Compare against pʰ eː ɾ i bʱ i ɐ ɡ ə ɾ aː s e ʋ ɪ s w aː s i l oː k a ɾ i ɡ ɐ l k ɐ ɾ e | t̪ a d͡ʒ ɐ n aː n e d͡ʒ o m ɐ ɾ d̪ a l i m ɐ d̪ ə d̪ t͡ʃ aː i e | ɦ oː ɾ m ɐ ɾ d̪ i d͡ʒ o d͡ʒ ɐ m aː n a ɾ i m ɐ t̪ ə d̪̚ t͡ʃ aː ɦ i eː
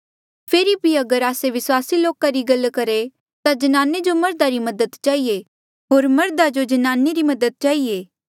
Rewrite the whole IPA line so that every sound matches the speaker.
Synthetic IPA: pʰ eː ɾ i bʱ i ɐ ɡ ə ɾ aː s e ʋ ɪ s w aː s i l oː k a ɾ i ɡ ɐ l k ɐ ɾ e | t̪ a d͡ʒ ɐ n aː n e d͡ʒ o m ɐ ɾ d̪ a ɾ i m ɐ d̪ ə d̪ t͡ʃ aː i e | ɦ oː ɾ m ɐ ɾ d̪ a d͡ʒ o d͡ʒ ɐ n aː n e ɾ i m ɐ d̪ ə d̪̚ t͡ʃ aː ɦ i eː